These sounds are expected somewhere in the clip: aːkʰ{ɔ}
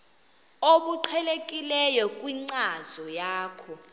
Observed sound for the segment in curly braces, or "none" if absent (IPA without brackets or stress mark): ɔ